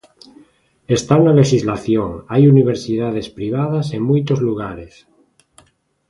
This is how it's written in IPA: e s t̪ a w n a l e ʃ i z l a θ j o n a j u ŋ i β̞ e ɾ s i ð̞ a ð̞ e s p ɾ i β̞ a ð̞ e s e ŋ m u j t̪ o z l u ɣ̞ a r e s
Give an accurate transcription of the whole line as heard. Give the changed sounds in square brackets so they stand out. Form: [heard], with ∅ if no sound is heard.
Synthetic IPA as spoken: e s t̪ a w n a l e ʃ i z l a θ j o [ŋ] a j u [n] i β̞ e ɾ s i ð̞ a ð̞ e s p ɾ i β̞ a ð̞ [a] s e ŋ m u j t̪ o z l u ɣ̞ a [ɾ] e s